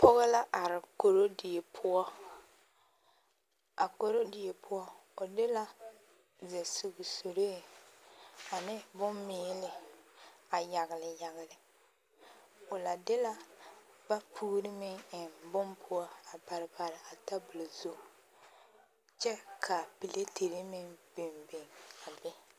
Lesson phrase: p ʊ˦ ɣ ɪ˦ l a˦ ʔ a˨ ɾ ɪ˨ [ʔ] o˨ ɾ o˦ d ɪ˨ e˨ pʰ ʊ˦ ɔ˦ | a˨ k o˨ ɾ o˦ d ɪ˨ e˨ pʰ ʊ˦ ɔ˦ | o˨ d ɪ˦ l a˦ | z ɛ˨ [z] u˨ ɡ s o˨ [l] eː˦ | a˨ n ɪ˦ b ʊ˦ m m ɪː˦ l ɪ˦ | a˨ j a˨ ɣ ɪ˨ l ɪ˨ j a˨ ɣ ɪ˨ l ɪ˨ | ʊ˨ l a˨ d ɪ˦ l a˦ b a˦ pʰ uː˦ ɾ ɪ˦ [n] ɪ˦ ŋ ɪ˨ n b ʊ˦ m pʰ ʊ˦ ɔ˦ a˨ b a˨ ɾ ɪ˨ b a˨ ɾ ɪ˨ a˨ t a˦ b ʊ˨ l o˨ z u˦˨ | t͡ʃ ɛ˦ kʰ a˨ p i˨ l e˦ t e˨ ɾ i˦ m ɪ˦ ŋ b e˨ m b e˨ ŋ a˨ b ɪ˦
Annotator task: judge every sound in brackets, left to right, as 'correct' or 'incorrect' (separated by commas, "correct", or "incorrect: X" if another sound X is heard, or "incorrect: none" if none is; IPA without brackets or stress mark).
incorrect: k, incorrect: s, incorrect: ɾ, incorrect: m